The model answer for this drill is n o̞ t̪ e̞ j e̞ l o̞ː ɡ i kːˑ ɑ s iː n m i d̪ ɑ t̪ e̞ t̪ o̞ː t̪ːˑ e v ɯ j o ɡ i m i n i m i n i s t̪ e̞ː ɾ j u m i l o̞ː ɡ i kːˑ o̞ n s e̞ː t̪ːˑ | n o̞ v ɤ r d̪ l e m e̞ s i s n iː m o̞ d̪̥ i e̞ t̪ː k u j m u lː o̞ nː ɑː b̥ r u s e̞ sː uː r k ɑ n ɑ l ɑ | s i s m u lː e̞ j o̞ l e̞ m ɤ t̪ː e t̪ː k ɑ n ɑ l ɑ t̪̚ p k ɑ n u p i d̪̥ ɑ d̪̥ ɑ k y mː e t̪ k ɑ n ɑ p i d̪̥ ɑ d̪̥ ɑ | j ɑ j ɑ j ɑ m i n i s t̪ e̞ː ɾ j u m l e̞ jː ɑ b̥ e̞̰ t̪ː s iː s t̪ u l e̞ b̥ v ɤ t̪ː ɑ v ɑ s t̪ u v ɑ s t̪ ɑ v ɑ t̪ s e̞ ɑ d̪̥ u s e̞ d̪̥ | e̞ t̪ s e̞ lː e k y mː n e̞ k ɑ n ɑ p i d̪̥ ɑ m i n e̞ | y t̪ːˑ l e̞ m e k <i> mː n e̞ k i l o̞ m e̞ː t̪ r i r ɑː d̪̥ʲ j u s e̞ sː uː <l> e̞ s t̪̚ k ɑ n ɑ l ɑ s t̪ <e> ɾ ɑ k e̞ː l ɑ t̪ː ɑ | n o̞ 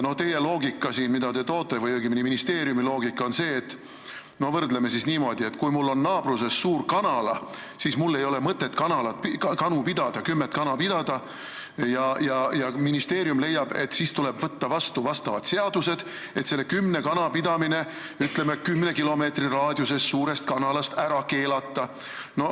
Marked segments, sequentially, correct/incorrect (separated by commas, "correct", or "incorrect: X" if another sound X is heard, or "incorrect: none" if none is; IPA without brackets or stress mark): incorrect: y, incorrect: ɾ, incorrect: æ